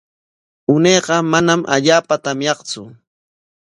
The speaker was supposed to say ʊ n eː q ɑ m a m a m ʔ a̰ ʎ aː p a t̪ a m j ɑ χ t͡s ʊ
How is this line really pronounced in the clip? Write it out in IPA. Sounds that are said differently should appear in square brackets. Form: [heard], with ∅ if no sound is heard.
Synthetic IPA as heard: ʊ n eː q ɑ m a [n] a m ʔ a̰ ʎ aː p a t̪ a m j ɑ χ t͡s ʊ